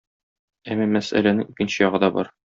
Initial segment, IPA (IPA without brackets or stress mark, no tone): æ